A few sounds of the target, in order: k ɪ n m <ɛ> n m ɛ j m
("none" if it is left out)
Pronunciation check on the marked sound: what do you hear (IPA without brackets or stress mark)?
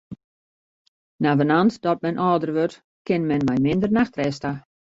ɛ